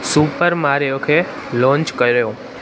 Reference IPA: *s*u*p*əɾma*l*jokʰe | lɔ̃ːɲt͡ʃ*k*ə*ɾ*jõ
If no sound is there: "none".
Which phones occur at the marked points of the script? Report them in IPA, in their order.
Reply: s, p, ɾ, k, ɾ

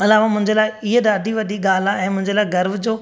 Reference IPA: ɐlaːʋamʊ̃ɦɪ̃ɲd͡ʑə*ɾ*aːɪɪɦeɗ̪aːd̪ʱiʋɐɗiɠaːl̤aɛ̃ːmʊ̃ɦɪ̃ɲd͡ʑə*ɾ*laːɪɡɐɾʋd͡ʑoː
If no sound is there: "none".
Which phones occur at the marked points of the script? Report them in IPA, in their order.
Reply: l, none

